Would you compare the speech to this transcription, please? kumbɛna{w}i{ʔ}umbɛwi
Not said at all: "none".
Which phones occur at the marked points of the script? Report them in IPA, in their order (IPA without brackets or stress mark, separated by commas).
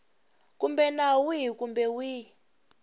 w, k